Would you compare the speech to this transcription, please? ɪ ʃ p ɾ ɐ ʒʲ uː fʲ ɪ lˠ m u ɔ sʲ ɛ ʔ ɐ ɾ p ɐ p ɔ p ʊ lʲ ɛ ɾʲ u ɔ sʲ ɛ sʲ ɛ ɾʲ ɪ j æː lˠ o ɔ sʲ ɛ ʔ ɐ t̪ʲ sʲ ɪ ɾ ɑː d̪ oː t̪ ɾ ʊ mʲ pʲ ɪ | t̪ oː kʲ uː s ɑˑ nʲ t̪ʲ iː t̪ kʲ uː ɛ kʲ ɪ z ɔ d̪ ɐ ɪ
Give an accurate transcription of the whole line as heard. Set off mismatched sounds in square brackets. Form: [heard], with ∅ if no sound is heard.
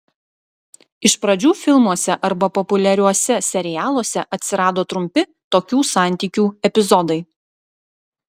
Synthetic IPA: ɪ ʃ p ɾ ɐ [d͡ʒʲ] uː fʲ ɪ lˠ m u ɔ sʲ ɛ ʔ ɐ ɾ [b] ɐ p ɔ p ʊ lʲ ɛ ɾʲ u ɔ sʲ ɛ sʲ ɛ ɾʲ ɪ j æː lˠ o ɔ sʲ ɛ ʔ ɐ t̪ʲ sʲ ɪ ɾ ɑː d̪ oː t̪ ɾ ʊ mʲ pʲ ɪ | t̪ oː kʲ uː s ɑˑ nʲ t̪ʲ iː [∅] kʲ uː ɛ [pʲ] ɪ z ɔ d̪ ɐ ɪ

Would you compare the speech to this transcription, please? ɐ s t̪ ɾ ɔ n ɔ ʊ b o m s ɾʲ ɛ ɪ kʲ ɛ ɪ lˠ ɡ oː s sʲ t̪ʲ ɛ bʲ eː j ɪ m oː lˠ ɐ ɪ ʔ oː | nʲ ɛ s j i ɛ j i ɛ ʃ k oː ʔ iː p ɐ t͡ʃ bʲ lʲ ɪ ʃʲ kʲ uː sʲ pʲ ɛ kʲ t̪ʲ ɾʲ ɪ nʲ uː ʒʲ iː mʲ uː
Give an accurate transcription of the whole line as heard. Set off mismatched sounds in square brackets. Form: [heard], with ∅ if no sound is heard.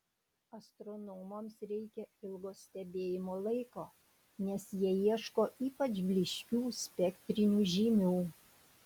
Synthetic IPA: ɐ s t̪ ɾ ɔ n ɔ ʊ [m] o m s ɾʲ ɛ ɪ kʲ ɛ ɪ lˠ ɡ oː s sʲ t̪ʲ ɛ bʲ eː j ɪ m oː lˠ ɐ ɪ [k] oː | nʲ ɛ s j i ɛ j i ɛ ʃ k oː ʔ iː p ɐ t͡ʃ bʲ lʲ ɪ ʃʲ kʲ uː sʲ pʲ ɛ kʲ t̪ʲ ɾʲ ɪ nʲ uː ʒʲ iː mʲ uː

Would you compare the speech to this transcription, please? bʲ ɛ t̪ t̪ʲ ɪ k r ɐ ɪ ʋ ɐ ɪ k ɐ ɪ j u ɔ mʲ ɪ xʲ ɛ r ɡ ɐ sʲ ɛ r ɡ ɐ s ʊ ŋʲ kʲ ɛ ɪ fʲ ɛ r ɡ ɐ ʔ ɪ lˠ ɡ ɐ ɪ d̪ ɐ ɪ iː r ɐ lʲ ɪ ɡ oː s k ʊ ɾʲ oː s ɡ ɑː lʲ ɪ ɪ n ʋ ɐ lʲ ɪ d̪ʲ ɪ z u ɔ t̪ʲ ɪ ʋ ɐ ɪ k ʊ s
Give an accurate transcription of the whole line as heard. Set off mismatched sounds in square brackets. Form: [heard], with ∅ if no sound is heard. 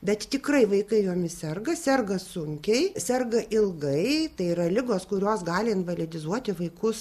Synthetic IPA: bʲ ɛ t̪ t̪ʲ ɪ k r ɐ ɪ ʋ ɐ ɪ k ɐ ɪ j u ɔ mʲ ɪ [sʲ] ɛ r ɡ ɐ sʲ ɛ r ɡ ɐ s ʊ ŋʲ kʲ ɛ ɪ [sʲ] ɛ r ɡ ɐ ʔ ɪ lˠ ɡ ɐ ɪ [t̪] ɐ ɪ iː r ɐ lʲ ɪ ɡ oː s k ʊ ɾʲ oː s ɡ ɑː lʲ ɪ ɪ n ʋ ɐ lʲ ɪ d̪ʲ ɪ z u ɔ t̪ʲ ɪ ʋ ɐ ɪ k ʊ s

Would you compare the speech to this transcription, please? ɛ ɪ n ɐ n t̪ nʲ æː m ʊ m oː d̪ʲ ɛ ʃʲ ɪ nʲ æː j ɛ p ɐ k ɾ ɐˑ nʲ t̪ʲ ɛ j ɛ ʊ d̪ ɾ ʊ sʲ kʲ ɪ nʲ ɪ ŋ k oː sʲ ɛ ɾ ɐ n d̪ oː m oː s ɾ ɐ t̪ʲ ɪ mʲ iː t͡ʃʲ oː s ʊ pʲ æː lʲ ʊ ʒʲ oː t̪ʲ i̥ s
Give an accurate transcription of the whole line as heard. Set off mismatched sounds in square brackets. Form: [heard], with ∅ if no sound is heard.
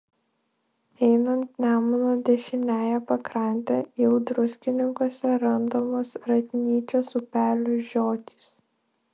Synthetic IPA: ɛ ɪ n ɐ n t̪ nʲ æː m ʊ [n] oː d̪ʲ ɛ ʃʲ ɪ nʲ æː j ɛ p ɐ k ɾ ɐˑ nʲ t̪ʲ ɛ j ɛ ʊ d̪ ɾ ʊ sʲ kʲ ɪ nʲ ɪ ŋ k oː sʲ ɛ ɾ ɐ n d̪ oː m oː s ɾ ɐ t̪ʲ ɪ [nʲ] iː t͡ʃʲ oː s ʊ pʲ æː lʲ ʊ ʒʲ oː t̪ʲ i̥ s

